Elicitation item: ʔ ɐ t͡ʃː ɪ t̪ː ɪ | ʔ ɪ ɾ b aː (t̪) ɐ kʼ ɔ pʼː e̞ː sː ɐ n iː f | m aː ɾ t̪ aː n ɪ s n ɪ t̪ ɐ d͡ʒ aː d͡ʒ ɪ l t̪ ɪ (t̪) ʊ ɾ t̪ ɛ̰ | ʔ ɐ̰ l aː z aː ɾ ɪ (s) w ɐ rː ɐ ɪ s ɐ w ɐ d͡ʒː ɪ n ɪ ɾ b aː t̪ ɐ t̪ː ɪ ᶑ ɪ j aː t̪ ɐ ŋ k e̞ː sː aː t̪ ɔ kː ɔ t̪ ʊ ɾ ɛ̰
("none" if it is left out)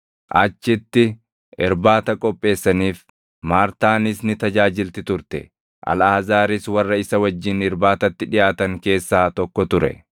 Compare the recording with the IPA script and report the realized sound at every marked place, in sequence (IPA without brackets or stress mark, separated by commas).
t̪, t̪, s